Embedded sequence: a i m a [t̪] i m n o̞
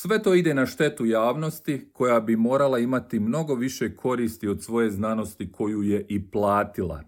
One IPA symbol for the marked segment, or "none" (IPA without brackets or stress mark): t̪